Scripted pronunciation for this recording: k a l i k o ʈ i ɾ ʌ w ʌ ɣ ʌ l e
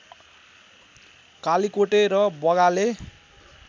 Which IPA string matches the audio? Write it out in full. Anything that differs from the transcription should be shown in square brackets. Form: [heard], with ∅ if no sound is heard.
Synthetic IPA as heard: k a l i k o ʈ [e] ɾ ʌ [b] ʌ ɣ [a] l e

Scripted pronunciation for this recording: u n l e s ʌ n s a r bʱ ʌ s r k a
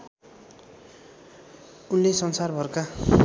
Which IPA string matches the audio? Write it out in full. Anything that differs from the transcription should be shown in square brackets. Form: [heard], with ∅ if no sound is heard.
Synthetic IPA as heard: u n l e s ʌ n s a r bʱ ʌ [∅] r k a

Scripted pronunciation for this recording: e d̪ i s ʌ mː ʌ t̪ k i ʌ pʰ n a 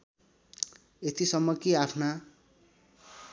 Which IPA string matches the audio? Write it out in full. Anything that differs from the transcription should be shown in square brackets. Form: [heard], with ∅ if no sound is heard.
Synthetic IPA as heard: e [t̪] i s ʌ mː ʌ [∅] k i [a] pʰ n a

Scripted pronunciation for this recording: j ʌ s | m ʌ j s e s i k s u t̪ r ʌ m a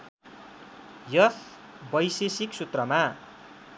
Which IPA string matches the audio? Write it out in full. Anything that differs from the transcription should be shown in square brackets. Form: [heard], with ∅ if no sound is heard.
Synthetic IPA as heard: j ʌ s | [b] ʌ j s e s i k s u t̪ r ʌ m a

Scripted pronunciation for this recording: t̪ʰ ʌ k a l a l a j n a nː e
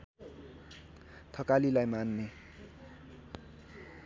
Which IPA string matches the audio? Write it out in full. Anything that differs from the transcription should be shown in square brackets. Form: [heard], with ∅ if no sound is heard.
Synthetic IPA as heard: t̪ʰ ʌ k a l [i] l a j [m] a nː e

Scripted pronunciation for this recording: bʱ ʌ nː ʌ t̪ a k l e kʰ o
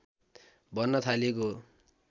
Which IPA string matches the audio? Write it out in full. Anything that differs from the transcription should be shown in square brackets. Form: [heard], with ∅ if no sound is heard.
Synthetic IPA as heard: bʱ ʌ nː ʌ [t̪ʰ] a [∅] l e [k] o

